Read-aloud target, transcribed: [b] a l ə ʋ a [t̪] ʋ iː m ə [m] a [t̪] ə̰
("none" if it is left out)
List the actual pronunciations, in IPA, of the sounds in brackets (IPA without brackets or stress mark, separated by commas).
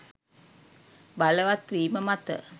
b, t̪, m, t̪